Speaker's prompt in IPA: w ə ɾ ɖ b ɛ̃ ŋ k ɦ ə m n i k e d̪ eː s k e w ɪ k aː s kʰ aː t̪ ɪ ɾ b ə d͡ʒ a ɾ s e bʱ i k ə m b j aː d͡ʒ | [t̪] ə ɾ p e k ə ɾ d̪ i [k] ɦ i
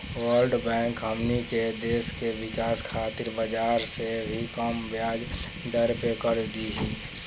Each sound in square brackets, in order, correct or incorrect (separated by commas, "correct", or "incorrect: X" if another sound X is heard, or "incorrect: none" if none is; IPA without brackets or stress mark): incorrect: d̪, incorrect: none